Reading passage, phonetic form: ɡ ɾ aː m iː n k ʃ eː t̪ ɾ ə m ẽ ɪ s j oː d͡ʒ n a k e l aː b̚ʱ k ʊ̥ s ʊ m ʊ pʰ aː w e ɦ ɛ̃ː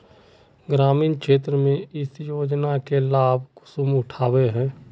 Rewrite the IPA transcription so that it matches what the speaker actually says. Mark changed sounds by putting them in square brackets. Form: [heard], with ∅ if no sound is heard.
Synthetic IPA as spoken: ɡ ɾ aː m iː n k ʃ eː t̪ ɾ ə m ẽ ɪ s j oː d͡ʒ n a k e l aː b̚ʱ k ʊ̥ s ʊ m ʊ [ʈʰ] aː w e ɦ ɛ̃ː